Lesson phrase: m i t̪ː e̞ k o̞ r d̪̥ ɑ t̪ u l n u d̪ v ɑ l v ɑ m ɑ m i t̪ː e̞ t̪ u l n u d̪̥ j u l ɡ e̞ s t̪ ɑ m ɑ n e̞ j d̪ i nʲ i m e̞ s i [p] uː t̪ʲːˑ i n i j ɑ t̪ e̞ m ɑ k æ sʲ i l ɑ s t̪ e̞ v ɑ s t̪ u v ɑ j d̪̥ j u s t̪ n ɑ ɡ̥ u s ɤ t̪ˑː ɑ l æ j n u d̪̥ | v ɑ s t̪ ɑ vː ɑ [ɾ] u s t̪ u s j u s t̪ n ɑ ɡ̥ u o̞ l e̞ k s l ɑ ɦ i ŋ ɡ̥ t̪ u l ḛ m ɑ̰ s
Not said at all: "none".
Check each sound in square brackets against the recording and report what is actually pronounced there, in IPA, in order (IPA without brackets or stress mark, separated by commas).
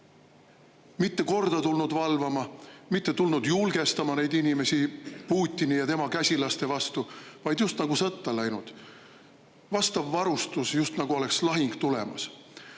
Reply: p, ɾ